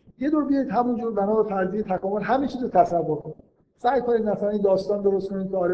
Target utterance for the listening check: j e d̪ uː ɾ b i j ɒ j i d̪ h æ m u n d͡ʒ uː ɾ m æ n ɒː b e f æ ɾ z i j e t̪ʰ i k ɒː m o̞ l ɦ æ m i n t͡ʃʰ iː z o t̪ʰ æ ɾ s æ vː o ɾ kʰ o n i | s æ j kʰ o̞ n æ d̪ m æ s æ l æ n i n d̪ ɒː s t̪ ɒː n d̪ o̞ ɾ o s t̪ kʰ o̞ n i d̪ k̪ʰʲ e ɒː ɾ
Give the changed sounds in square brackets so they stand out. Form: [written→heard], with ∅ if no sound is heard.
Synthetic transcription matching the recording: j e d̪ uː ɾ b i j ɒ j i d̪ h æ m u n d͡ʒ uː ɾ [m→b] æ n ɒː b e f æ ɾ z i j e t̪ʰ [i→æ] k ɒː m o̞ l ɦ æ m i n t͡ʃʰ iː z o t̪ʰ æ [ɾ→∅] s æ vː o ɾ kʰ o n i | s æ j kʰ o̞ n [æ→i] d̪ m æ s æ l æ n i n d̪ ɒː s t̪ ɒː n d̪ o̞ ɾ o s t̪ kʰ o̞ n i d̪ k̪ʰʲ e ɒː ɾ